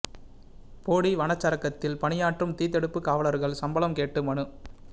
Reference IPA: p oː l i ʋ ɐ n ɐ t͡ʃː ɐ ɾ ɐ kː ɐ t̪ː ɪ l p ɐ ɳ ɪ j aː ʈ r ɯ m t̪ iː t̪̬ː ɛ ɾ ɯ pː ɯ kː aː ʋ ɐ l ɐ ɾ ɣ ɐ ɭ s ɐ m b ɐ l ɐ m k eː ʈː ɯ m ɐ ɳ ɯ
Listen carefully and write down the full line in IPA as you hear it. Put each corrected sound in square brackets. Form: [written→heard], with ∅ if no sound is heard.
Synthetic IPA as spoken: p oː [l→ɽ] i ʋ ɐ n ɐ t͡ʃː ɐ ɾ ɐ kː ɐ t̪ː ɪ l p ɐ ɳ ɪ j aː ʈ r ɯ m t̪ iː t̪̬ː ɛ [ɾ→ɽ] ɯ pː ɯ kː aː ʋ ɐ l ɐ ɾ ɣ ɐ ɭ s ɐ m b ɐ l ɐ m k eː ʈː ɯ m ɐ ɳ ɯ

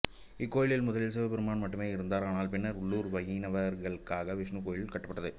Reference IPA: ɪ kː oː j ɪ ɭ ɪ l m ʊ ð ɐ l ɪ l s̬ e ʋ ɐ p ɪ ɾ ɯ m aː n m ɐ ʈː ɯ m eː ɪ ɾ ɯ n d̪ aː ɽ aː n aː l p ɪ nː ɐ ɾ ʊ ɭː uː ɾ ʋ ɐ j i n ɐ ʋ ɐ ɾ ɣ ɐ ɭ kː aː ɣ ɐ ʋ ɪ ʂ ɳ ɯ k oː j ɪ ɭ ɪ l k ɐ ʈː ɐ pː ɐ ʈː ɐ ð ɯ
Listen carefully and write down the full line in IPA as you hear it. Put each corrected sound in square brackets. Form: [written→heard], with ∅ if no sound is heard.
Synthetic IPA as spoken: ɪ kː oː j ɪ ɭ ɪ l m ʊ ð ɐ l ɪ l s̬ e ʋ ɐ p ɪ ɾ ɯ m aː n m ɐ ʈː ɯ m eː ɪ ɾ ɯ n d̪ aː [ɽ→ɾ] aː n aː l p ɪ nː ɐ ɾ ʊ ɭː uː ɾ ʋ ɐ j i n ɐ ʋ ɐ ɾ ɣ ɐ ɭ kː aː ɣ ɐ ʋ ɪ ʂ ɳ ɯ k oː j ɪ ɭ ɪ l k ɐ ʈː ɐ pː ɐ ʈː ɐ ð ɯ

